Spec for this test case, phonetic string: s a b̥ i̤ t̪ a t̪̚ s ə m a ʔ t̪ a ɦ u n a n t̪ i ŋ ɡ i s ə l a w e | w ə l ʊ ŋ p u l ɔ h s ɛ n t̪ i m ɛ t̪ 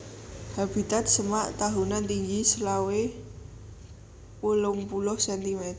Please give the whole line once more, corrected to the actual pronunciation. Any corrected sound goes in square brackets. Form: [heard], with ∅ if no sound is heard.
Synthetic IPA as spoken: [h] a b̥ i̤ t̪ a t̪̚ s ə m a ʔ t̪ a ɦ u n a n t̪ i ŋ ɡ i s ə l a w e | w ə l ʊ ŋ p u l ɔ h s ɛ n t̪ i m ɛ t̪